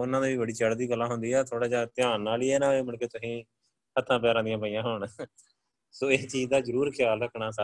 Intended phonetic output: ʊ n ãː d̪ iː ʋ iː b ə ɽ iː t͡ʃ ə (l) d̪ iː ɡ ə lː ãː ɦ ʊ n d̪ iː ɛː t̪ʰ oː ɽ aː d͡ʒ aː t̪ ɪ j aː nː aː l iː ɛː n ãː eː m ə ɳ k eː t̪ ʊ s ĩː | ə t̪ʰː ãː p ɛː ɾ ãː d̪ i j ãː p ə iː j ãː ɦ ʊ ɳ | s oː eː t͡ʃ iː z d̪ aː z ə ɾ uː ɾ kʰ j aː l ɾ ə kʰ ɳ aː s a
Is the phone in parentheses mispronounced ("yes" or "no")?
yes